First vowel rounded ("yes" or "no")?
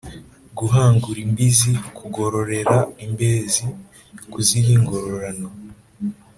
yes